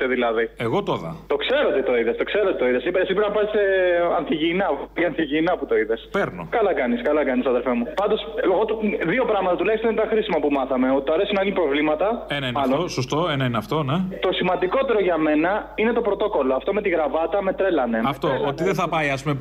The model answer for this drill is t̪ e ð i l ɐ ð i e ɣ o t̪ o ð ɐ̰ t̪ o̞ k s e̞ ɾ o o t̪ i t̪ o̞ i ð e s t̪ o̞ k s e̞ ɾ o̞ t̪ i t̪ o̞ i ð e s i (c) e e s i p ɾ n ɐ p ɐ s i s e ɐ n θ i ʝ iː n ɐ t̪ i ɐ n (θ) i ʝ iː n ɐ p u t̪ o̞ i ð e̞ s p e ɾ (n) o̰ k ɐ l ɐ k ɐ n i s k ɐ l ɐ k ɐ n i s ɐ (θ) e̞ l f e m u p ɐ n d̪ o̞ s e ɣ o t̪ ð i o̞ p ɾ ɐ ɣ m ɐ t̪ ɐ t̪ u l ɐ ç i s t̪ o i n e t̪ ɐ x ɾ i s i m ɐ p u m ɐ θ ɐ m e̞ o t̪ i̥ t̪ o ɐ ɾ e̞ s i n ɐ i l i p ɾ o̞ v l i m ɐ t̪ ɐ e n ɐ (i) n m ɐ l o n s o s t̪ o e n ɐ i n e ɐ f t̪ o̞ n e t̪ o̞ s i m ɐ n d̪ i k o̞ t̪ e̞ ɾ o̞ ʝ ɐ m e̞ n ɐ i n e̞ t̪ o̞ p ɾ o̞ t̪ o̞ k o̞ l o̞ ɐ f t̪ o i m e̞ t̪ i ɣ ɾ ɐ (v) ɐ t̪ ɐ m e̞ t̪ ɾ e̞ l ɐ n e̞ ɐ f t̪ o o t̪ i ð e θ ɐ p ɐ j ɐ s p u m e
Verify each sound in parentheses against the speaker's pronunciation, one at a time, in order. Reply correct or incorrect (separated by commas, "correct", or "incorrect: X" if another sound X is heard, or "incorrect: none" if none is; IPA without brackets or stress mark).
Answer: incorrect: p, correct, correct, incorrect: ð, correct, correct